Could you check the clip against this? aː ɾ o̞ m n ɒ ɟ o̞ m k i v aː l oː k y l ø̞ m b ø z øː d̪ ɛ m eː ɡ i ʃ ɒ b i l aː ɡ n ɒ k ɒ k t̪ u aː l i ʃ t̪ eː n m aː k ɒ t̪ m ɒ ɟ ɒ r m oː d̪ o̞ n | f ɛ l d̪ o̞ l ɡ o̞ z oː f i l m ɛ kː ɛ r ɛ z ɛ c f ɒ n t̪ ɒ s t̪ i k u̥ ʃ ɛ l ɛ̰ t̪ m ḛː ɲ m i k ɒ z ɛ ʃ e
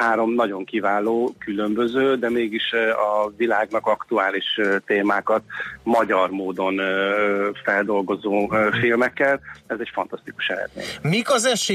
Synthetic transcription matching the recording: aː ɾ o̞ m n ɒ ɟ o̞ ŋ k i v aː l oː k y l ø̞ m b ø z øː d̪ ɛ m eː ɡ i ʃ ɒ v i l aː ɡ n ɒ k ɒ k t̪ u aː l i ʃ t̪ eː m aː k ɒ t̪ m ɒ ɟ ɒ r m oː d̪ o̞ n | f ɛ l d̪ o̞ l ɡ o̞ z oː f i l m ɛ kː ɛ l ɛ z ɛ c f ɒ n t̪ ɒ s t̪ i k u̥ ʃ ɛ l ɛ̰ d̪ m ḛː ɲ m i k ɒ z ɛ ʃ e